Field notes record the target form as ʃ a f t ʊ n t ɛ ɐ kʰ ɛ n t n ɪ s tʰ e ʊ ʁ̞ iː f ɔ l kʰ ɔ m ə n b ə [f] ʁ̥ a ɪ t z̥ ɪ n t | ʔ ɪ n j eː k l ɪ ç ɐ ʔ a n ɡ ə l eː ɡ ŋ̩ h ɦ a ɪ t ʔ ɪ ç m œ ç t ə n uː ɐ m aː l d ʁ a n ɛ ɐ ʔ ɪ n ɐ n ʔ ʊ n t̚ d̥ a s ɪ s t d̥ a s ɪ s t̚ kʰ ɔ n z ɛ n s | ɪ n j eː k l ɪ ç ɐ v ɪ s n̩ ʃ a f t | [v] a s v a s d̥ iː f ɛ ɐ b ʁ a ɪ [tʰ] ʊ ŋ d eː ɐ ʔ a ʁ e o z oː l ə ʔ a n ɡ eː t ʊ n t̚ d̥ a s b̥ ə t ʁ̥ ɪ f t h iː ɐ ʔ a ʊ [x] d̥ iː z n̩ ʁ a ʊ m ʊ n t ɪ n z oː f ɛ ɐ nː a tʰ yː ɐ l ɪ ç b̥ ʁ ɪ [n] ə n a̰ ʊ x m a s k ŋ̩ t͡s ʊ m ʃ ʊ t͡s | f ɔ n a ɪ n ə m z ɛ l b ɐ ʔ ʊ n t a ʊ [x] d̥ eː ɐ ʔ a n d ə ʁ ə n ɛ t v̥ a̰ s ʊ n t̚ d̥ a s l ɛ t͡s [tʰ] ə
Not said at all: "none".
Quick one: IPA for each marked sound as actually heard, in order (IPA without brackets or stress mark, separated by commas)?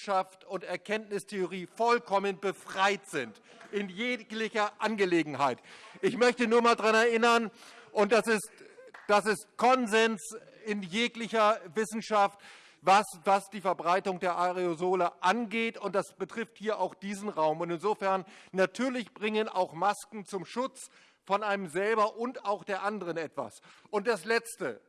f, v, t, x, ŋ, x, t